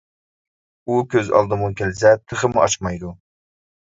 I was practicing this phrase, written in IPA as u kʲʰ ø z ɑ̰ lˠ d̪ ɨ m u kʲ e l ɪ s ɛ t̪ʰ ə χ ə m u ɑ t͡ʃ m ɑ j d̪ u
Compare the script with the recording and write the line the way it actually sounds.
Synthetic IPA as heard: u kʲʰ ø z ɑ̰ lˠ d̪ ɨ m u kʲ e l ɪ s ɛ t̪ʰ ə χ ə m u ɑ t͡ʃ m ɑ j d̪ u